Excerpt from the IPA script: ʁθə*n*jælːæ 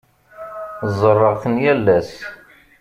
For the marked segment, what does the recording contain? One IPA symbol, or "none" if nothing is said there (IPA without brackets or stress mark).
n